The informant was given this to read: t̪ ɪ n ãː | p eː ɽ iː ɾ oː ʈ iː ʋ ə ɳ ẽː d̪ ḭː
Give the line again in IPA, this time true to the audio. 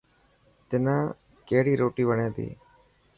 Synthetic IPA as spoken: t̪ ɪ n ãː | k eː ɽ iː ɾ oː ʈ iː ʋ ə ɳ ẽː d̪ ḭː